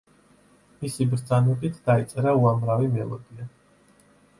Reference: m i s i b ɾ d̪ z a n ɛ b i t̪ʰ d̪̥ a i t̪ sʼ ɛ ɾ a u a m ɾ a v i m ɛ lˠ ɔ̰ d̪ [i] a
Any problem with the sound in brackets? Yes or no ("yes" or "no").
no